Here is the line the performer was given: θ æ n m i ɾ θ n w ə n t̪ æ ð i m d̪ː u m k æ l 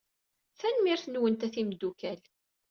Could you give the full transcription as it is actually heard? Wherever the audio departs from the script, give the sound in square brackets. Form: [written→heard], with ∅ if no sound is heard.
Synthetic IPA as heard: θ æ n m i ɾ θ n w ə n t̪ æ [ð→θ] i m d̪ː u [m→∅] k æ l